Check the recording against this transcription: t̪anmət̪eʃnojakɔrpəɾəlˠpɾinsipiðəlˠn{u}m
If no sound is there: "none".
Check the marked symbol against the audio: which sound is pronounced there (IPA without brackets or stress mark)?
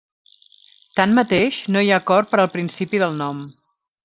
ɔ